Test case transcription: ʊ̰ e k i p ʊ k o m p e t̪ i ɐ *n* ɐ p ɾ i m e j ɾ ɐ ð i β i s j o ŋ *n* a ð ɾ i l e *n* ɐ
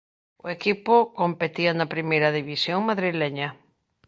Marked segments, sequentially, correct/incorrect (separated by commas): correct, incorrect, incorrect